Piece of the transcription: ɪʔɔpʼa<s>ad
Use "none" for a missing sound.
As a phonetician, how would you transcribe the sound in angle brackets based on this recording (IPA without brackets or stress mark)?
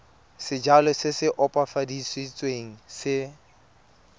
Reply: f